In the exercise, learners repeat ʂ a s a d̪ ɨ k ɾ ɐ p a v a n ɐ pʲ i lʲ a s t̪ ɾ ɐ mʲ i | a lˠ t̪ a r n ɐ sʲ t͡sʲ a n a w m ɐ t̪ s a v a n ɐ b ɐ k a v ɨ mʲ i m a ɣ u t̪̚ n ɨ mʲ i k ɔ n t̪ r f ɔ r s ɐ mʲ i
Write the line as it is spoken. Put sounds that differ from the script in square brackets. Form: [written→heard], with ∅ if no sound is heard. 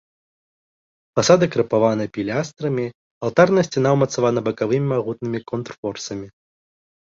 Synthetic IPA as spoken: [ʂ→f] a s a d̪ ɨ k ɾ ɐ p a v a n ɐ pʲ i lʲ a s t̪ ɾ ɐ mʲ i | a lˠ t̪ a r n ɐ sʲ t͡sʲ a n a w m ɐ t̪ s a v a n ɐ b ɐ k a v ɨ mʲ i m a ɣ u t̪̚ n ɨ mʲ i k ɔ n t̪ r f ɔ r s ɐ mʲ i